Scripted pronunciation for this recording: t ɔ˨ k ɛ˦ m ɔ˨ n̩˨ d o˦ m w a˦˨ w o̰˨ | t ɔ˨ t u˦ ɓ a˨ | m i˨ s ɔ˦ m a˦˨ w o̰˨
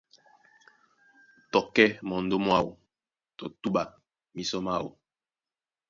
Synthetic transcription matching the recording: t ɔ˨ k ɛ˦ m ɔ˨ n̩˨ d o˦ m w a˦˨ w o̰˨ | t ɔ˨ t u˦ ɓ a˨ | m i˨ s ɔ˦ m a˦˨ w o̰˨